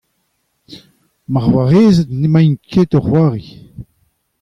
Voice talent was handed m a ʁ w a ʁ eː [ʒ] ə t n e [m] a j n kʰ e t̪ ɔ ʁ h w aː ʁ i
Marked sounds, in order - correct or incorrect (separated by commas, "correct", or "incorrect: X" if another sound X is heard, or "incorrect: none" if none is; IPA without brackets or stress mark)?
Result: incorrect: z, correct